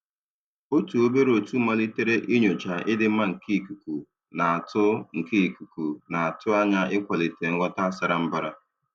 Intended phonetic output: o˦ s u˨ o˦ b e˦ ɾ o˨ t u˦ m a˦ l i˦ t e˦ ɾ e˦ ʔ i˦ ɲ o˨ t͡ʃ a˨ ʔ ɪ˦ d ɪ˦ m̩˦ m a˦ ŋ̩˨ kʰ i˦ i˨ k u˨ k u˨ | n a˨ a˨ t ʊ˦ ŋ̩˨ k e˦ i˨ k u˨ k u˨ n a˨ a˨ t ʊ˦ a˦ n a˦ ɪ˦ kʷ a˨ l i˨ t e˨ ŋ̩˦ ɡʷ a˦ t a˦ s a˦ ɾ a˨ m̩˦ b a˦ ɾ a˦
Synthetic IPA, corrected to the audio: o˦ t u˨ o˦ b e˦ ɾ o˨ t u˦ m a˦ l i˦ t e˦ ɾ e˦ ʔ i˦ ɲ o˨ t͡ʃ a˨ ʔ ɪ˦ d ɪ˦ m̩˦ m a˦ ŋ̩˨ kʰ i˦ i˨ k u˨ k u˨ | n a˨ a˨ t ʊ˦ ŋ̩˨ k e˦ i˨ k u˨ k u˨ n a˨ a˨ t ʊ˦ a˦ ɲ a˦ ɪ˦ kʷ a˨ l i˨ t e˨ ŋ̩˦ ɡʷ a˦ t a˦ s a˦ ɾ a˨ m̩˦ b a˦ ɾ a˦